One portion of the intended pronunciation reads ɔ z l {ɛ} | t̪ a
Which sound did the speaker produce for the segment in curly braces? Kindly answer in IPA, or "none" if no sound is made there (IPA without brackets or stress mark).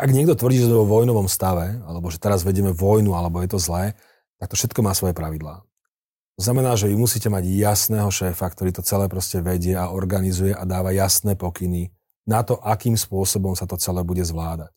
ɛː